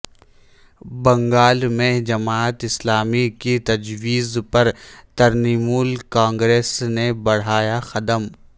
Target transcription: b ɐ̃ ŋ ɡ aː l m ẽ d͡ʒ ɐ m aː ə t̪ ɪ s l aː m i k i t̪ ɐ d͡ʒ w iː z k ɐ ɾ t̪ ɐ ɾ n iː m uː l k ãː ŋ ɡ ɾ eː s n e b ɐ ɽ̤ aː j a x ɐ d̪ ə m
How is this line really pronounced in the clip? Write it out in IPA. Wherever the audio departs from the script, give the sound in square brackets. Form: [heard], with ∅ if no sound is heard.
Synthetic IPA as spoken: b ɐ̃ ŋ ɡ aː l m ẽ d͡ʒ ɐ m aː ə t̪ ɪ s l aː m i k i t̪ ɐ d͡ʒ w iː z [p] ɐ ɾ t̪ ɐ ɾ n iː m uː l k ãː ŋ ɡ ɾ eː s n e b ɐ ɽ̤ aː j a x ɐ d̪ ə m